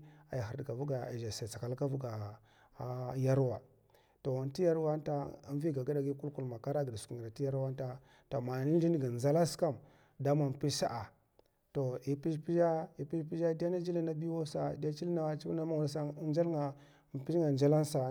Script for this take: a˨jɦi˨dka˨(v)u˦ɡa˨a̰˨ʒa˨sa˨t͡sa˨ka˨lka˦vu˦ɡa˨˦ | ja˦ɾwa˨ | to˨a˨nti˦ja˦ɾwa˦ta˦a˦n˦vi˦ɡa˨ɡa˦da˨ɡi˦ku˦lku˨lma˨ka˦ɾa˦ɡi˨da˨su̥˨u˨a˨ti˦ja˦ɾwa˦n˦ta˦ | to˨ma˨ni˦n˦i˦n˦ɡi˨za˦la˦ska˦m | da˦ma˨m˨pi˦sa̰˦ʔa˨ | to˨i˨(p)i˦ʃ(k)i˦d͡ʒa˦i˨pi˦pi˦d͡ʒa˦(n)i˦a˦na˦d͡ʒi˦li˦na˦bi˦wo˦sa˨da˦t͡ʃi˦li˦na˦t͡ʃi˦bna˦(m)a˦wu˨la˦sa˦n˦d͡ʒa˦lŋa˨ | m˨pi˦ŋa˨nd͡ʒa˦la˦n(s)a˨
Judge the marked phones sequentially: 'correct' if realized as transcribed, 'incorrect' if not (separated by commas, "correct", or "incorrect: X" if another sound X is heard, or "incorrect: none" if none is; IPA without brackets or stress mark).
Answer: correct, correct, incorrect: p, incorrect: d, correct, correct